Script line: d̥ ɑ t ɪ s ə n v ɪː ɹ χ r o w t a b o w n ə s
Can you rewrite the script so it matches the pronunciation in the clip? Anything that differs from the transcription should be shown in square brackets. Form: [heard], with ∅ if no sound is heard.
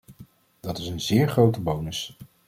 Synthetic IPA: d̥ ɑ t ɪ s ə n [z] ɪː ɹ χ r o w t [ə] b o w n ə s